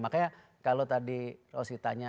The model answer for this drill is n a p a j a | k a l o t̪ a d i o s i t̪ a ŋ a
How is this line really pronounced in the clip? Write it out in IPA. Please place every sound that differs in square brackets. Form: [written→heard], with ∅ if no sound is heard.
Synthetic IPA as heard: [n→m] a [p→k] a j a | k a l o t̪ a d i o s i t̪ a [ŋ→ɲ] a